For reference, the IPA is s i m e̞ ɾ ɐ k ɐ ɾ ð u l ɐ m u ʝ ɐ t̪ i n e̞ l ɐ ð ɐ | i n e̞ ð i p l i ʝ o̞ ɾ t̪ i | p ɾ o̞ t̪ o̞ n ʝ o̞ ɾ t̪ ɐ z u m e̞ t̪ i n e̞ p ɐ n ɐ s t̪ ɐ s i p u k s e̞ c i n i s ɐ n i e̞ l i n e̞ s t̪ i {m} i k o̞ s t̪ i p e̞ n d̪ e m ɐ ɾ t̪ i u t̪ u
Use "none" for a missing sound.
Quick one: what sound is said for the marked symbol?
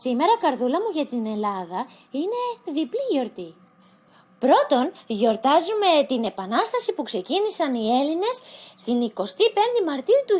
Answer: n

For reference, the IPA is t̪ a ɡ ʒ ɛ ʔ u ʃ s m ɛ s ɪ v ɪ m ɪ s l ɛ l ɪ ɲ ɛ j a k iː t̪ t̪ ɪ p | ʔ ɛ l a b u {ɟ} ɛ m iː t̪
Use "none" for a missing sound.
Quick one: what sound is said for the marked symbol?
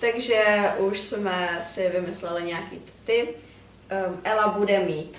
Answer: d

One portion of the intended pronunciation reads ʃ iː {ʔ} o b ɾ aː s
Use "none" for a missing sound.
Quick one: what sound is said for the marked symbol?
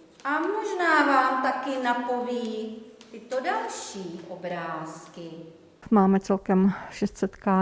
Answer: ʔ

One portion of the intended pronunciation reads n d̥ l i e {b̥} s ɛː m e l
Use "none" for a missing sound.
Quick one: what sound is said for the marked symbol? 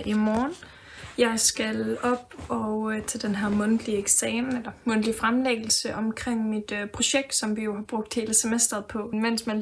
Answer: ɡ̥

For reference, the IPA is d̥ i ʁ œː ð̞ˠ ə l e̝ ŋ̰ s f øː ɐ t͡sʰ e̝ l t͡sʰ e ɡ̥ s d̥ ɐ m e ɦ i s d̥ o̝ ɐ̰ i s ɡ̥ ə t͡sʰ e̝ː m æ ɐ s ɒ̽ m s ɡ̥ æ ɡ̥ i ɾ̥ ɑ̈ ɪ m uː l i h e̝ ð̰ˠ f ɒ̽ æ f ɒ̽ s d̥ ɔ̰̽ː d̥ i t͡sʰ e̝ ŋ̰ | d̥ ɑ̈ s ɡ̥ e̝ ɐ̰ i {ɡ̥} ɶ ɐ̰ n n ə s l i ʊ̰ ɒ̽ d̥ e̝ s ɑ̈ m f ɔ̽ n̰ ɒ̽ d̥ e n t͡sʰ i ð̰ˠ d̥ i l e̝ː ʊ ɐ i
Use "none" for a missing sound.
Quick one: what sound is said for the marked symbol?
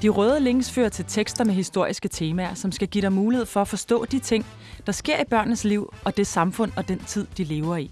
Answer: b̥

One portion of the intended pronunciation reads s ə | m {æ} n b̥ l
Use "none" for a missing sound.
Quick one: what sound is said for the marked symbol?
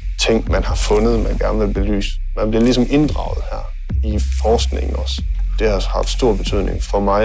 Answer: æ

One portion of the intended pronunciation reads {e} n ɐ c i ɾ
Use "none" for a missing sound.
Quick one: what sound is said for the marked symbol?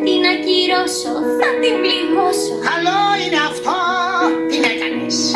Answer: i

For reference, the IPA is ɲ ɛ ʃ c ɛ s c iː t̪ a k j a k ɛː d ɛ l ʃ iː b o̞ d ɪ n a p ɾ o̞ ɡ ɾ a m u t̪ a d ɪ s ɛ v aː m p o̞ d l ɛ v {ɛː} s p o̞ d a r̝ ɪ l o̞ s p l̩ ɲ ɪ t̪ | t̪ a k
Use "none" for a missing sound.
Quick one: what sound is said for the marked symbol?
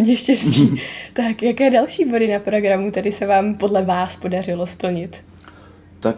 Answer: aː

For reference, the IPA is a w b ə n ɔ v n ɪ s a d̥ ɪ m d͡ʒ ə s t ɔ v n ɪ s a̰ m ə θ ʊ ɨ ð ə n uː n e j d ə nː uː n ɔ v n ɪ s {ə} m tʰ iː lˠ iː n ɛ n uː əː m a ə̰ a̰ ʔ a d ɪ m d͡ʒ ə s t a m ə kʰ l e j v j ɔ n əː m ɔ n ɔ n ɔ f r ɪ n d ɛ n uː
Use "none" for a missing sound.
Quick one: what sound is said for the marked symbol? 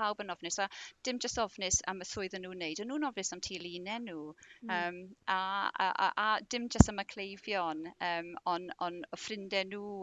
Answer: a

